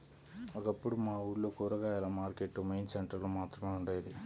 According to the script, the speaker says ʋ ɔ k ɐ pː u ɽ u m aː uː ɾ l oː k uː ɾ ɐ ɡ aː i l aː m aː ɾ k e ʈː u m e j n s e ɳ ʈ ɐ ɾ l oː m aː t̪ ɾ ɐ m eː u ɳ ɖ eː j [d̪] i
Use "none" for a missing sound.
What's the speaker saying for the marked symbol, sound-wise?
d̪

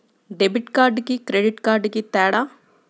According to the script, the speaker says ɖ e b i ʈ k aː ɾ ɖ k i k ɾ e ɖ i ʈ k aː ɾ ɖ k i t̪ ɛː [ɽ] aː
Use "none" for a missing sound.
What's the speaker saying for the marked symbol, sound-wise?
ɽ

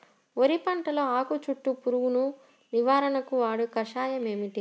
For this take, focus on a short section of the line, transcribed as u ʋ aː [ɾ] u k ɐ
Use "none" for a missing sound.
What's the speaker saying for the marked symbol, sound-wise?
ɽ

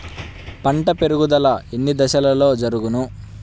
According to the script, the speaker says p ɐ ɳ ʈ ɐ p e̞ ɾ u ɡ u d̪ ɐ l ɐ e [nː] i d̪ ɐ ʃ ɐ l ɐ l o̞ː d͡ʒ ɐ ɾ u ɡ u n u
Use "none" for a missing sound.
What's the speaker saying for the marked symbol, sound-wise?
nː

